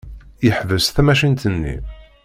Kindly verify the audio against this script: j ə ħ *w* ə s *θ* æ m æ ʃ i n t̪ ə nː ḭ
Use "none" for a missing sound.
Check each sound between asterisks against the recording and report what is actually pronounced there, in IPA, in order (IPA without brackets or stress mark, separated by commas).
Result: v, θ